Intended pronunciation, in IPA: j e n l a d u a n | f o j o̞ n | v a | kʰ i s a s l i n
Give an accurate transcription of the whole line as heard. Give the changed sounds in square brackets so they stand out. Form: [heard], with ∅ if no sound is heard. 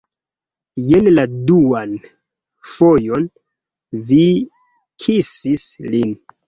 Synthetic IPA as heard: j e n l a d u a n | f o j o̞ n | v [i] | kʰ i s [i] s l i n

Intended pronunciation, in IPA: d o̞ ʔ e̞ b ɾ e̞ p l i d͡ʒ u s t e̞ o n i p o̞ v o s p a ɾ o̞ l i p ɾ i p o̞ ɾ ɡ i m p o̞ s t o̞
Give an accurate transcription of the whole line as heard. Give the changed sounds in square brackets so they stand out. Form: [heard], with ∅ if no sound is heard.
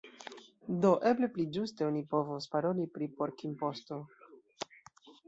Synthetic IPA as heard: d o̞ ʔ e̞ b [l] e̞ p l i d͡ʒ u s t e̞ o n i p o̞ v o s p a ɾ o̞ l i p ɾ i p o̞ ɾ [k] i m p o̞ s t o̞

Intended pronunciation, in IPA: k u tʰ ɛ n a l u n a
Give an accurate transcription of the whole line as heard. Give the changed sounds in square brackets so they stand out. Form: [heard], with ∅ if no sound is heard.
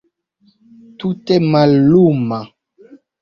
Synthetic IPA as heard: [t] u [t] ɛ [m] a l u [m] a

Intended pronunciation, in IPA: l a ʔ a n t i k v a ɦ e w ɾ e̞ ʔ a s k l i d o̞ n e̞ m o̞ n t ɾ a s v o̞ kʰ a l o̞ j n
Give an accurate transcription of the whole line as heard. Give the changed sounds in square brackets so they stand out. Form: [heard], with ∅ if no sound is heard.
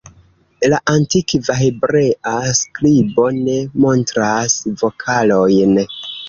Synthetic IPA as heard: l a ʔ a n t i k v a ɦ e [b] ɾ e̞ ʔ a s k l i [b] o̞ n e̞ m o̞ n t ɾ a s v o̞ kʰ a l o̞ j n

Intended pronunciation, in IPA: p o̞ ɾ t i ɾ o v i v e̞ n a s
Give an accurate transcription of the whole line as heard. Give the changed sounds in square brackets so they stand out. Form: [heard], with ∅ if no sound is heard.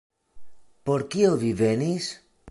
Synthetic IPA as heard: p o̞ ɾ [k] i [∅] o v i v e̞ n [i] s

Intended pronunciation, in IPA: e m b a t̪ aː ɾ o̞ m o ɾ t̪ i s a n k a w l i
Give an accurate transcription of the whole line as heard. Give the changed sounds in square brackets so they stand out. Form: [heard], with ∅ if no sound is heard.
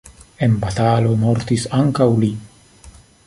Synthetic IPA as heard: e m b a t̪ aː [l] o̞ m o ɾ t̪ i s a [ŋ] k a w l i

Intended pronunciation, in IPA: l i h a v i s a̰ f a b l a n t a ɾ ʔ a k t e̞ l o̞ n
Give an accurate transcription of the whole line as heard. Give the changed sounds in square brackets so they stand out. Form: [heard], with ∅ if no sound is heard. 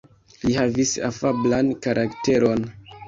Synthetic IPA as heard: l i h a v i s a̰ f a b l a n [k] a ɾ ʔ a k t e̞ [ɾ] o̞ n

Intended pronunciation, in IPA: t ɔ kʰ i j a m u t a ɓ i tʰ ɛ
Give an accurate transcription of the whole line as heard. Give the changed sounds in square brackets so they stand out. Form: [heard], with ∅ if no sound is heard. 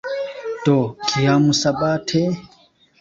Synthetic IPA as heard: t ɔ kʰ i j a m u [s] a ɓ [a] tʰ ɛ

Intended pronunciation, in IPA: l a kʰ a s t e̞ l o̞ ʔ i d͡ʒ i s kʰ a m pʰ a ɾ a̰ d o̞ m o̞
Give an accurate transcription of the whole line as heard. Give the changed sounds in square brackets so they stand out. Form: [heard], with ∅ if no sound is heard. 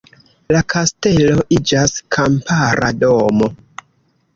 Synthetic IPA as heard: l a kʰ a s t e̞ l o̞ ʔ i d͡ʒ [a] s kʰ a m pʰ a ɾ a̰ d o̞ m o̞

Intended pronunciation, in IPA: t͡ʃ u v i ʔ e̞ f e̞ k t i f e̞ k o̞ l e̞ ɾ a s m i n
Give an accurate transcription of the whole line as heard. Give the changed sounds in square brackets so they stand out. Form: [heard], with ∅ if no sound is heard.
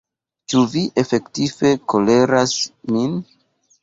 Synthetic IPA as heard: t͡ʃ u v i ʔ e̞ f e̞ k t i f e̞ k o̞ l e̞ ɾ a s m i n

